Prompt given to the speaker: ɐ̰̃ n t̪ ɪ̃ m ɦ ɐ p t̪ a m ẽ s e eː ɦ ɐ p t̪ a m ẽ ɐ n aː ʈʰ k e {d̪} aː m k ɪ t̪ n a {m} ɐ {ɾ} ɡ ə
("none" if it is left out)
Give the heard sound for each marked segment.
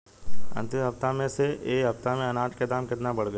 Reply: d̪, b, ɽ

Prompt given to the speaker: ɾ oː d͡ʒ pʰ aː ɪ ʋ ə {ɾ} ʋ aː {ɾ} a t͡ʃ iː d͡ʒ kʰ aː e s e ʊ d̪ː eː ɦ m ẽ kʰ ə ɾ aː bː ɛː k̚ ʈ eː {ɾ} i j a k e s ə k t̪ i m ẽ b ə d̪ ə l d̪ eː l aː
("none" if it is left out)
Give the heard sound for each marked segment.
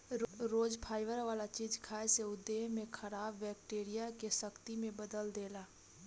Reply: ɾ, l, ɾ

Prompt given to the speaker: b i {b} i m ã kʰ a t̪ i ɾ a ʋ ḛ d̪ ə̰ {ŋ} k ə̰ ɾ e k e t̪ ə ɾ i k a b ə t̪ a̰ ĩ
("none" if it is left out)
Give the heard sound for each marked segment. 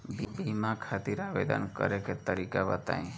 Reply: b, n

